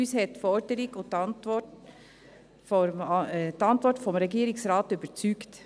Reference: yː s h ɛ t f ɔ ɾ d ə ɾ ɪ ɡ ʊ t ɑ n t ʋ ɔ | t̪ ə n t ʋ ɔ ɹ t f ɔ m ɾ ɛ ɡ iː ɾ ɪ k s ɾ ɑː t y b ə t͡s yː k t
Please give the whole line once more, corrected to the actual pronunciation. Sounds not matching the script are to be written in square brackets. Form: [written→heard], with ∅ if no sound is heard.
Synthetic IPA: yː s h ɛ t f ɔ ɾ d ə ɾ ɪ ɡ ʊ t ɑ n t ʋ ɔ | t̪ [ə→ɑ] n t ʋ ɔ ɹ t f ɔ m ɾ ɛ ɡ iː ɾ ɪ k s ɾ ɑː t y b ə t͡s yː k t